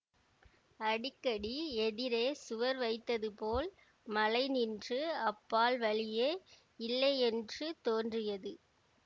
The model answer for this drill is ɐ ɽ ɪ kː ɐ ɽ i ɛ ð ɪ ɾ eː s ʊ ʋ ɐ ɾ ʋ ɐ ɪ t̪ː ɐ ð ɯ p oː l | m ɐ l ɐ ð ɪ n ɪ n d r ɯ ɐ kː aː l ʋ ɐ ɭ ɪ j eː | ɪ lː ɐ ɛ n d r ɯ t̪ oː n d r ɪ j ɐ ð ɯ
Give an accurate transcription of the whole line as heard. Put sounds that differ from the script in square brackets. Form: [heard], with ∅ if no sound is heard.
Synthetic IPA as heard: ɐ ɽ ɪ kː ɐ ɽ i ɛ ð ɪ ɾ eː s ʊ ʋ ɐ ɾ ʋ ɐ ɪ t̪ː ɐ ð ɯ p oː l | m ɐ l ɐ [∅] ɪ n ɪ n d r ɯ ɐ [pː] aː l ʋ ɐ ɭ ɪ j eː | ɪ lː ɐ ɛ n d r ɯ t̪ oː n d r ɪ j ɐ ð ɯ